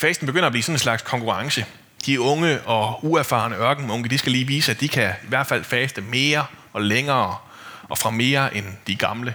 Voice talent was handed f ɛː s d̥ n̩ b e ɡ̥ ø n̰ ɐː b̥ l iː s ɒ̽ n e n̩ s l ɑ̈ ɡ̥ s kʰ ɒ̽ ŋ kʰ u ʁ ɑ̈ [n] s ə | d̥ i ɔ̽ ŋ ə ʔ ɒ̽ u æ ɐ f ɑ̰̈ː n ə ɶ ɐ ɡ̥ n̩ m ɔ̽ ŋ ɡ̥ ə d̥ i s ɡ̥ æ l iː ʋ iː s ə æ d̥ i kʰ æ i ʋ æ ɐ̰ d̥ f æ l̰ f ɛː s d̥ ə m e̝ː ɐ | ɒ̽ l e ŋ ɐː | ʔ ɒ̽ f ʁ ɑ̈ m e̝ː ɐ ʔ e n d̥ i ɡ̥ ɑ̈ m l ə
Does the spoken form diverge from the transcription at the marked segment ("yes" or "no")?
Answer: yes